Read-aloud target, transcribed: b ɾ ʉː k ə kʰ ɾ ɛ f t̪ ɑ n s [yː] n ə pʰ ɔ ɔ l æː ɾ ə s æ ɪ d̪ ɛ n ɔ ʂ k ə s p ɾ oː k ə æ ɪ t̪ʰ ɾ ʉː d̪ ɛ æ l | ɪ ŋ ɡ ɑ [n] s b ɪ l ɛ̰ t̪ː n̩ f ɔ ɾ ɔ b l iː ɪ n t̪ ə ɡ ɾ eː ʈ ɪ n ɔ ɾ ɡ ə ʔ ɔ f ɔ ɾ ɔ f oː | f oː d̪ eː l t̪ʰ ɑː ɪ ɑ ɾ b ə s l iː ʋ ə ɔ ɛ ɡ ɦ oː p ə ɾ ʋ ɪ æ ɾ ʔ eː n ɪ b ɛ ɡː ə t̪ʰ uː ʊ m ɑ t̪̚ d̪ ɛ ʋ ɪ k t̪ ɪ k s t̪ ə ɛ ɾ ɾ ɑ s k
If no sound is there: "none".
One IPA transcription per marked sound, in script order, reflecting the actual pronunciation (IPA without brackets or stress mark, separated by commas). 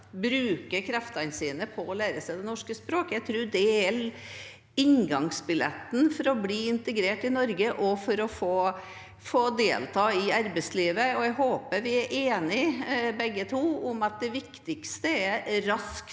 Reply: iː, ŋ